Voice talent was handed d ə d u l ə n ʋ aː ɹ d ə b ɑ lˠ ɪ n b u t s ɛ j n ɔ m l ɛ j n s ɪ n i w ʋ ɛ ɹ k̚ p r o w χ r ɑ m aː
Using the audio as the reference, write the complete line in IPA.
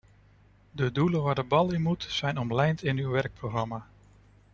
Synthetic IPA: d ə d u l ə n ʋ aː ɹ d ə b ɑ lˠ ɪ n m u t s ɛ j n ɔ m l ɛ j n t ɪ n y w ʋ ɛ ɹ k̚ p r o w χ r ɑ m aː